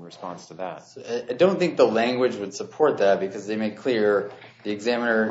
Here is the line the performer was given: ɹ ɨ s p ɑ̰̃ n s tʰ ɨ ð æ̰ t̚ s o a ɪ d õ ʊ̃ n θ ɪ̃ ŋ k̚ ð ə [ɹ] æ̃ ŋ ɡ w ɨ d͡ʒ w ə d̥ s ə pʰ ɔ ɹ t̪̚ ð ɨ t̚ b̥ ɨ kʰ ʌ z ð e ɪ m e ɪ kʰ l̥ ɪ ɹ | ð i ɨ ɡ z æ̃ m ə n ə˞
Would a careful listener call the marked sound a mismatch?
yes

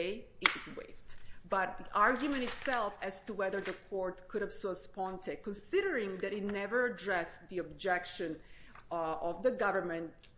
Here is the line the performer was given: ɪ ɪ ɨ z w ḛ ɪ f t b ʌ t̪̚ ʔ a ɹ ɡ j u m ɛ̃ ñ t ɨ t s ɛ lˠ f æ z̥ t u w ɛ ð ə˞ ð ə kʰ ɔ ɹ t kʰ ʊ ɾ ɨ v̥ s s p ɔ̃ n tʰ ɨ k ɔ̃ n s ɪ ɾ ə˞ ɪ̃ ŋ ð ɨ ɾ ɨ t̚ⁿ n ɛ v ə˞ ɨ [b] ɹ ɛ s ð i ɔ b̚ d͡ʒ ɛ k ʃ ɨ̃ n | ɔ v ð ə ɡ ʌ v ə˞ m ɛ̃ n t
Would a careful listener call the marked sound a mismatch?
yes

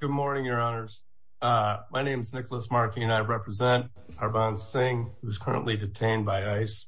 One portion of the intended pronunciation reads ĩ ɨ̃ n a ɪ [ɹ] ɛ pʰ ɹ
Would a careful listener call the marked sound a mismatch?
no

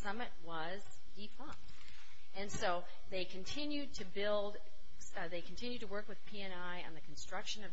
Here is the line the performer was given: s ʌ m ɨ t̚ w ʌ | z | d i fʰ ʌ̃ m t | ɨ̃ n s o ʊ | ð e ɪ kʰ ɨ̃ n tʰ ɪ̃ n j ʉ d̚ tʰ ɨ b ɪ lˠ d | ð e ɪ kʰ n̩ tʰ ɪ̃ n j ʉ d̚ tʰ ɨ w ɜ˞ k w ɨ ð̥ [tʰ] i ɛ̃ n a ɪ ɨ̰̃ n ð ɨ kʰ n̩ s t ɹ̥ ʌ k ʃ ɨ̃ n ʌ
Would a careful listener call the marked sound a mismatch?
yes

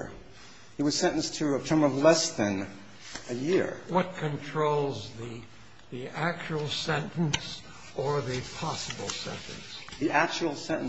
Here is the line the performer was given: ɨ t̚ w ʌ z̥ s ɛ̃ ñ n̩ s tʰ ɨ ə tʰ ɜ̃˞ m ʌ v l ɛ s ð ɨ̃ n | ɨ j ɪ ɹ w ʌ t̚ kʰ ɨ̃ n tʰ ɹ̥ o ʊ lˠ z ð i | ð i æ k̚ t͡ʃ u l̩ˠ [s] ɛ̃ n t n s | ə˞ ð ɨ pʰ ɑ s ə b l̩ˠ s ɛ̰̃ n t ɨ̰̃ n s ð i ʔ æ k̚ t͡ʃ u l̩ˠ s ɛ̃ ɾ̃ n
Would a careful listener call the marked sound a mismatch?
no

